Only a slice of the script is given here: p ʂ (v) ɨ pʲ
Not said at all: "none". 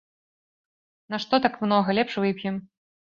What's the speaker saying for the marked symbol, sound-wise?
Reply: v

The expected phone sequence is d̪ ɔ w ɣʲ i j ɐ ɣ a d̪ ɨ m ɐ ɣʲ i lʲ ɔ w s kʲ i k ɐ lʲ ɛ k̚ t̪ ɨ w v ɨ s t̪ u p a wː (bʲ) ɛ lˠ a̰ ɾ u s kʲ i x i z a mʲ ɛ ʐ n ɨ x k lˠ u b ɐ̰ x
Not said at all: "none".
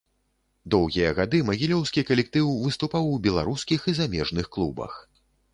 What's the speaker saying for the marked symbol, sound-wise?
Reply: bʲ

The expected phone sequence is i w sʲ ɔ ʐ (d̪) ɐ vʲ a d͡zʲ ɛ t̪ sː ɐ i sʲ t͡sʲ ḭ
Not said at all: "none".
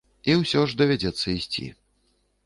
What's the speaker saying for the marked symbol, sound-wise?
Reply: d̪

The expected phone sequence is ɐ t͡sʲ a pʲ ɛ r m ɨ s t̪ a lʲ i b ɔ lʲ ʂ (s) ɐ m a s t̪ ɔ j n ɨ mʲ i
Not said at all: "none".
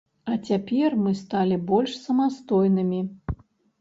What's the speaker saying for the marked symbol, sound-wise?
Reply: s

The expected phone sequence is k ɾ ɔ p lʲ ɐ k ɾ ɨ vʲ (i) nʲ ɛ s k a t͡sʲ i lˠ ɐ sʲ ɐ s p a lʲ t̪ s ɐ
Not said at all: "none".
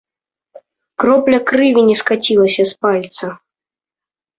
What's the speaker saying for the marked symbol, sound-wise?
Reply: i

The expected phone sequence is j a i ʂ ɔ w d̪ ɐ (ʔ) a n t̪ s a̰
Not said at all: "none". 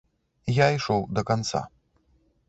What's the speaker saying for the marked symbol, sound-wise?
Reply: k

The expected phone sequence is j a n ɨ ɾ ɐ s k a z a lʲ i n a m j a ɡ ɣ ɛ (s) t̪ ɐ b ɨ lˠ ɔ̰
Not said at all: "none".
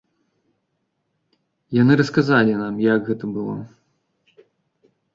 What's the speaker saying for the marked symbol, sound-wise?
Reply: none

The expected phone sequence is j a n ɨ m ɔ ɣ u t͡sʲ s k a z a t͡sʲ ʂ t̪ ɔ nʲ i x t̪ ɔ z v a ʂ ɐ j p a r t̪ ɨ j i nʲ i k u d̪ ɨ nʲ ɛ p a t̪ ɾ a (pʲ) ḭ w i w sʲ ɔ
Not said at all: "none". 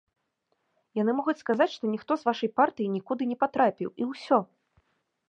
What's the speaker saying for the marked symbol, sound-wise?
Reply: pʲ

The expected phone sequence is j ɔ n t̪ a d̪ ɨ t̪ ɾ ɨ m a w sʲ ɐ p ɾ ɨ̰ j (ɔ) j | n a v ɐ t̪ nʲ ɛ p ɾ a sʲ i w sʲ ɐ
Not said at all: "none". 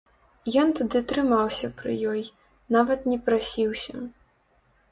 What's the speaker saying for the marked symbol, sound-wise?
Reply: ɔ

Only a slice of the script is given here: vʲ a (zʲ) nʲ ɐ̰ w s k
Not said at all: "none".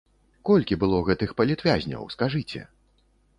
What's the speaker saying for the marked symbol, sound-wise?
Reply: zʲ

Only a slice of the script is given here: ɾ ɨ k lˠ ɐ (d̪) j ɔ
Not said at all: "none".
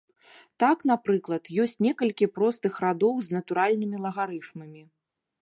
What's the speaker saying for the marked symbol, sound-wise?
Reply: t̪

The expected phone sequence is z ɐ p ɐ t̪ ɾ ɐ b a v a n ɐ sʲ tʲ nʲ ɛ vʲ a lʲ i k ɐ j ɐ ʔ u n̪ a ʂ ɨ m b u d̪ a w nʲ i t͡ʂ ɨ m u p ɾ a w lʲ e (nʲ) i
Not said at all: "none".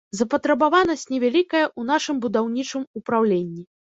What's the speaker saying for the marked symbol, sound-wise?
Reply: nʲː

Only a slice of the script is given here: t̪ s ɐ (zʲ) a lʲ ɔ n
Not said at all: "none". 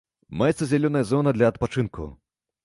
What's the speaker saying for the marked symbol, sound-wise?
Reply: zʲ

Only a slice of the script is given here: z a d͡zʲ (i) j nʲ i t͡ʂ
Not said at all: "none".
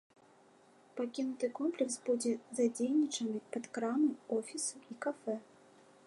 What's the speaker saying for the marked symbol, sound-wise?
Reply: e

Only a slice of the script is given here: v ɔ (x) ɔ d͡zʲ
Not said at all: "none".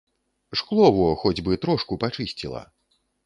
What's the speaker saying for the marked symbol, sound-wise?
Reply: x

